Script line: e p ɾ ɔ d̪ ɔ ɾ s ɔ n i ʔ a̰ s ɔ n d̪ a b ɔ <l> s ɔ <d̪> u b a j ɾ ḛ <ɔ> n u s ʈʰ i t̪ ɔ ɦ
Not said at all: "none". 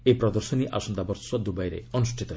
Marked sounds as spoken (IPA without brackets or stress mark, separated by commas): ɾ, d̪, ɔ